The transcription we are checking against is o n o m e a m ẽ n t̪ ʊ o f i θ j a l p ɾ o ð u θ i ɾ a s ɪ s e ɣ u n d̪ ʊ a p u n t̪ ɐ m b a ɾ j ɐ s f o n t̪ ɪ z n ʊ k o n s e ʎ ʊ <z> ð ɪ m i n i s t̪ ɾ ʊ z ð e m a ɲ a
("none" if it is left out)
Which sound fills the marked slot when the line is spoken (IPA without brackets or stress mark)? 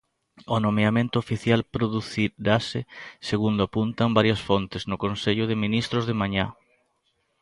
none